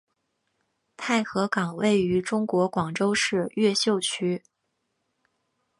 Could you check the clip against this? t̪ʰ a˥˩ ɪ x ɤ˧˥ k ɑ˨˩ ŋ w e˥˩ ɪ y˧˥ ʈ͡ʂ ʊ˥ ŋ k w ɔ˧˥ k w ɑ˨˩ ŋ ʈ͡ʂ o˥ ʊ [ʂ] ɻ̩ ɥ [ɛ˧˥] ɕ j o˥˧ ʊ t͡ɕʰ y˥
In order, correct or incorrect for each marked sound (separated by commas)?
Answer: correct, incorrect